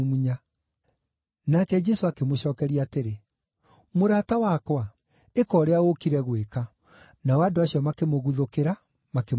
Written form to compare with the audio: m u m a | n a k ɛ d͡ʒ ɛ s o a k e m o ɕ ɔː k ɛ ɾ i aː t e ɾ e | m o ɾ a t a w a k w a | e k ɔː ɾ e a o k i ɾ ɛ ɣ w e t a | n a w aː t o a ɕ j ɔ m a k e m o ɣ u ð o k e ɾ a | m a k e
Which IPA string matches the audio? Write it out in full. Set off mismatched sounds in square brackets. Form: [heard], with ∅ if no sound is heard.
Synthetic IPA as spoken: m u [ɲ] a | n a k ɛ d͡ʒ ɛ s o a k e m o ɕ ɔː k ɛ ɾ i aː t e ɾ e | m o ɾ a t a w a k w a | e k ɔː ɾ e a o k i ɾ ɛ ɣ w e [k] a | n a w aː [d] o a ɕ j ɔ m a k e m o ɣ u ð o k e ɾ a | m a k e